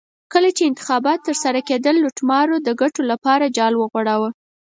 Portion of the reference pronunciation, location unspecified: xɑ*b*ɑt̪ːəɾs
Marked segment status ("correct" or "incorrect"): correct